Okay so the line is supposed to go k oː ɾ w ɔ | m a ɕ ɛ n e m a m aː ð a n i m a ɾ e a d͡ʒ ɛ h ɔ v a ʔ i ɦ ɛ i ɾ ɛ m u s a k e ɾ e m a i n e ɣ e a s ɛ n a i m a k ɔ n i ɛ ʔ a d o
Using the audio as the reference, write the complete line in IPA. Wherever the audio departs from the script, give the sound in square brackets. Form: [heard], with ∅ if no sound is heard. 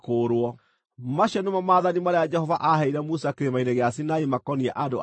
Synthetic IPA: k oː ɾ w ɔ | m a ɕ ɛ n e m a m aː ð a n i m a ɾ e a d͡ʒ ɛ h ɔ v a ʔ [a] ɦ ɛ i ɾ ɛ m u s a k e ɾ e m a i n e ɣ e a s [i] n a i m a k ɔ n i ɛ ʔ a d o